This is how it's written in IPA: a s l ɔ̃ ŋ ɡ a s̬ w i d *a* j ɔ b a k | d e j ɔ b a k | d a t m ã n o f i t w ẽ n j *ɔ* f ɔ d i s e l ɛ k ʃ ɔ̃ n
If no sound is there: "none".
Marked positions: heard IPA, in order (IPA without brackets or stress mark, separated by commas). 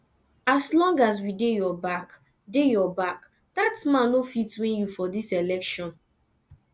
e, u